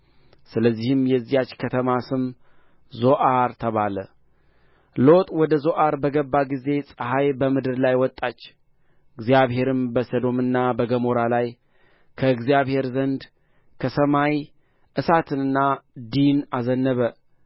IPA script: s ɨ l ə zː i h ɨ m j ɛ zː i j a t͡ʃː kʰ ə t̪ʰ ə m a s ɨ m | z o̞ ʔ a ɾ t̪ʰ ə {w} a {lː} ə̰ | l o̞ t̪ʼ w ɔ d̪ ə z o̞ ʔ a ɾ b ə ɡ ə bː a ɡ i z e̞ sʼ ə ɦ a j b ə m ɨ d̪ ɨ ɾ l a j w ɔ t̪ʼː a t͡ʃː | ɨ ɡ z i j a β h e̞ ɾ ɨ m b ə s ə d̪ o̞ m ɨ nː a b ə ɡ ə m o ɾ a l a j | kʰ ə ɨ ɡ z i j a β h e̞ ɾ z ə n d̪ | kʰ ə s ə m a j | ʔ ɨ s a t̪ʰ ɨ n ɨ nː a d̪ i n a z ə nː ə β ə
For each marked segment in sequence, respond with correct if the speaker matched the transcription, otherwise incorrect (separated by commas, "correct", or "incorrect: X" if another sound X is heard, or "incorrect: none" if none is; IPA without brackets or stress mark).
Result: incorrect: β, incorrect: l